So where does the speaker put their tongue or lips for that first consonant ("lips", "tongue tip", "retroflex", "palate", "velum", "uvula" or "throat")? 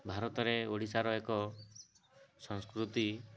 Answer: lips